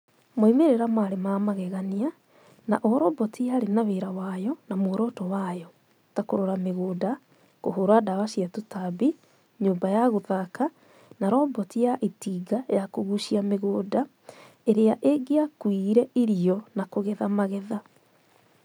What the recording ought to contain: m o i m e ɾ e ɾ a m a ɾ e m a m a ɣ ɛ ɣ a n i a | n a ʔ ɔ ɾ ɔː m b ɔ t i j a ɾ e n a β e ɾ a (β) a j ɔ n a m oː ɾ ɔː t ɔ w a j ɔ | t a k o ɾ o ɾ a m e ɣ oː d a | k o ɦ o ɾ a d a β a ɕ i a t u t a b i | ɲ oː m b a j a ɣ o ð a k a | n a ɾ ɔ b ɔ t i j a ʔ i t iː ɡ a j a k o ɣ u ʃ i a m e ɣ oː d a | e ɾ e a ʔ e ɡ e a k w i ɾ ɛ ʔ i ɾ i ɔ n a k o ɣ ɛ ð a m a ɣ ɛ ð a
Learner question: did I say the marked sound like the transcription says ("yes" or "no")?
no